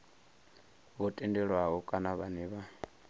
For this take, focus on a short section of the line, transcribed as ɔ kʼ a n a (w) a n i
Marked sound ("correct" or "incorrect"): incorrect